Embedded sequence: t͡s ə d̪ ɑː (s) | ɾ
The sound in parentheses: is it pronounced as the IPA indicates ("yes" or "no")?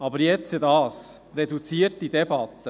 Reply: yes